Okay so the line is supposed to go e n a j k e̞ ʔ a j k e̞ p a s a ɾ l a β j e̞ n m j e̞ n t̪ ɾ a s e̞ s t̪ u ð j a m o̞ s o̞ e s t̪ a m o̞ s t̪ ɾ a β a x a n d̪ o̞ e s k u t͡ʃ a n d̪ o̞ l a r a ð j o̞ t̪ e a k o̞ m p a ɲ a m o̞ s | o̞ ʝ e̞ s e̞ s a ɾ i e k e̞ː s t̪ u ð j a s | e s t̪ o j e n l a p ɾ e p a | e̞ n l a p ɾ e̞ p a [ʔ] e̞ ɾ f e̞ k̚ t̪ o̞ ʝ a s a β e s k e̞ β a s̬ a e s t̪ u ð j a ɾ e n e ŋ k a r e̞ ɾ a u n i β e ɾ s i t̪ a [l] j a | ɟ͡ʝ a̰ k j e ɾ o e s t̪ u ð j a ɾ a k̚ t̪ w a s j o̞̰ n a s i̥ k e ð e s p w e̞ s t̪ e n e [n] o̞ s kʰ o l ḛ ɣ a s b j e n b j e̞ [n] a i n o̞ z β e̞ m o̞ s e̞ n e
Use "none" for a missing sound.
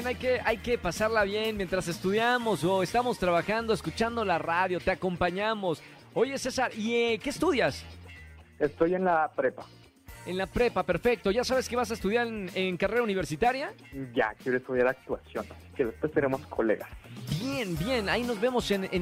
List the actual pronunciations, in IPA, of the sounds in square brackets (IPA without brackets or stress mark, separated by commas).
p, ɾ, m, n